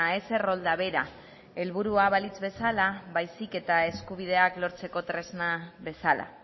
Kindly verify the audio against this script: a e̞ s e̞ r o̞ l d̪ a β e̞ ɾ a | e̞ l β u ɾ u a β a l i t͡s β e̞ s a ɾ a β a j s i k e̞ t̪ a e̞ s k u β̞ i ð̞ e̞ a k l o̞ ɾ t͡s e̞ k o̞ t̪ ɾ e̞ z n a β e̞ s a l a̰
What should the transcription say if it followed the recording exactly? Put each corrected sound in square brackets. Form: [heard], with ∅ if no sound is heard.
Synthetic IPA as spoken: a e̞ s e̞ r o̞ l d̪ a β e̞ ɾ a | e̞ l β u ɾ u a β a l i t͡s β e̞ s a [l] a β a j s i k e̞ t̪ a e̞ s k u β̞ i ð̞ e̞ a k l o̞ ɾ t͡s e̞ k o̞ t̪ ɾ e̞ z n a β e̞ s a l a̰